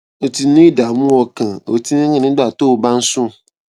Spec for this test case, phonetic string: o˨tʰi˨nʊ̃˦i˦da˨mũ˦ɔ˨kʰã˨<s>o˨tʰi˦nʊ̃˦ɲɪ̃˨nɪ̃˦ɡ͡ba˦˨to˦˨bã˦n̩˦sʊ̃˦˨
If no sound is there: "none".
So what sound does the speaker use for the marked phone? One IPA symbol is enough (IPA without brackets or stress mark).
none